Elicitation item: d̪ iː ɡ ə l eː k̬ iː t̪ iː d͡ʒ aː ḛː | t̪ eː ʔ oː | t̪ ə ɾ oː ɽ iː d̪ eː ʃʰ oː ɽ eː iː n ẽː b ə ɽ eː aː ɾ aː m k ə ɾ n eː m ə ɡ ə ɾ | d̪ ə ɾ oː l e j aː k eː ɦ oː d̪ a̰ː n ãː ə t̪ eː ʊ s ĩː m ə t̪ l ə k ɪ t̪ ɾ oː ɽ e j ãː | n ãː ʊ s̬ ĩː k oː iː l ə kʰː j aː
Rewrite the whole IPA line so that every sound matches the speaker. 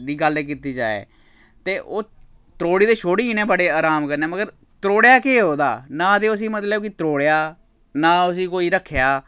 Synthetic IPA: d̪ iː ɡ ə l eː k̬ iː t̪ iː d͡ʒ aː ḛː | t̪ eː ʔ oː | t̪ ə ɾ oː ɽ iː d̪ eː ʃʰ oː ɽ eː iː n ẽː b ə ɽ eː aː ɾ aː m k ə ɾ n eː m ə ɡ ə ɾ | t̪ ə ɾ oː ɽ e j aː k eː ɦ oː d̪ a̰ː n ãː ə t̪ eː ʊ s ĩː m ə t̪ l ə k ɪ t̪ ɾ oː ɽ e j aː | n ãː ʊ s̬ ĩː k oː iː ɾ ə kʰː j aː